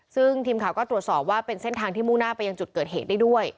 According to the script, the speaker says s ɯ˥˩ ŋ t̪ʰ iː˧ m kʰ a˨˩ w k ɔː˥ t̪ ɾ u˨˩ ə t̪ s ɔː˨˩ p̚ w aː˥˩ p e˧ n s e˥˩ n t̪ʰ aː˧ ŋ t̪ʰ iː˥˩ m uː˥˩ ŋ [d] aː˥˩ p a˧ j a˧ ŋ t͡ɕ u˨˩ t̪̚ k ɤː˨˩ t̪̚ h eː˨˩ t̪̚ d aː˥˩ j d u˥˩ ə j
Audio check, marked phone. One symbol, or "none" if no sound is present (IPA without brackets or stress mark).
n